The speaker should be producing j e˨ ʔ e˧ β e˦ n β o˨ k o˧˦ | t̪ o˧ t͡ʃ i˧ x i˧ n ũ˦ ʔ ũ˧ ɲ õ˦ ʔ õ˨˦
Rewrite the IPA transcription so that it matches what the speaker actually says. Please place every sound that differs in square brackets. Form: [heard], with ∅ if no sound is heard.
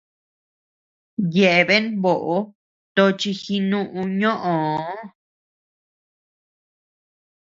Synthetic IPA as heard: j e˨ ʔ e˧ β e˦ n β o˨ [ʔ] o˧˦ | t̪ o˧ t͡ʃ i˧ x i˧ n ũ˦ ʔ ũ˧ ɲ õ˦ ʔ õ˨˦

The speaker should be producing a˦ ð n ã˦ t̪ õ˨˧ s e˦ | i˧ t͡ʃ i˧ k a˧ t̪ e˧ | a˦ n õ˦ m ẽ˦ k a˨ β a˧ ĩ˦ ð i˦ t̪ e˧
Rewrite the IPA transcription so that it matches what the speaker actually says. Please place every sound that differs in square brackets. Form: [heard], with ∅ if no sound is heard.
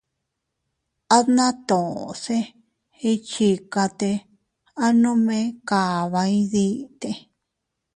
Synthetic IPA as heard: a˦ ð n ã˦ t̪ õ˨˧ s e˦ | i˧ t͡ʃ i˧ k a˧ t̪ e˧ | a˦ n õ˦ m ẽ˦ k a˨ β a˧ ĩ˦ ð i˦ t̪ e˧

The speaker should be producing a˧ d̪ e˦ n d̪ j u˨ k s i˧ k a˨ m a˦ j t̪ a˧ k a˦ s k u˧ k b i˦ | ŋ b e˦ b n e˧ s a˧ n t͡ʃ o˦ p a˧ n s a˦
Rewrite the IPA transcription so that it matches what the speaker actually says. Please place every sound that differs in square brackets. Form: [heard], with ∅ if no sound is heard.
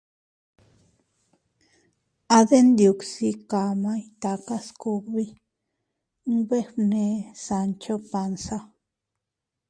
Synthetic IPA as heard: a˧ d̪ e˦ n d̪ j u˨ k s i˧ k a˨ m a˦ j t̪ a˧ k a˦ s k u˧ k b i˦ | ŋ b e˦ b n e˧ s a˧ n t͡ʃ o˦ p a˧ n s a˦

